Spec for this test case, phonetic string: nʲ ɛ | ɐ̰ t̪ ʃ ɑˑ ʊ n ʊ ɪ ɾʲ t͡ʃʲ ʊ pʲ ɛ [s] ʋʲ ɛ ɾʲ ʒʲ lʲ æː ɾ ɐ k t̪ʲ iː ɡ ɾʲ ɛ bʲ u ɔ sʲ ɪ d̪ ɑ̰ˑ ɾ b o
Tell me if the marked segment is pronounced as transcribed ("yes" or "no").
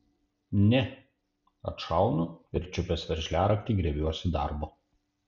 yes